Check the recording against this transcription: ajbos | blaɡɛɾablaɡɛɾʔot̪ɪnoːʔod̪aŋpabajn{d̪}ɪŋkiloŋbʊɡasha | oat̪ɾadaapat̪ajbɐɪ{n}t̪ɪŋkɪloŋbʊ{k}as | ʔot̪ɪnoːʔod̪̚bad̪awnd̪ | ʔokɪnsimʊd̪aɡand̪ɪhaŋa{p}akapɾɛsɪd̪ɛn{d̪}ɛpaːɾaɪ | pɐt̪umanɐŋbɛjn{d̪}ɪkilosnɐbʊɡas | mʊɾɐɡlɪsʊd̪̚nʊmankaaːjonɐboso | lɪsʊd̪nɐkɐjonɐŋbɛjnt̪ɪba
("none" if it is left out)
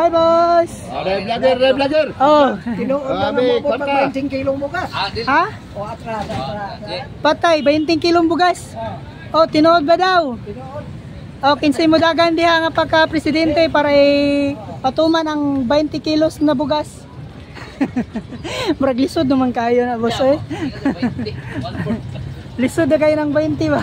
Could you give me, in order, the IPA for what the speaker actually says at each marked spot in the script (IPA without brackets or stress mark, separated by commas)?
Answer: t̪, n, ɡ, p, t̪, t̪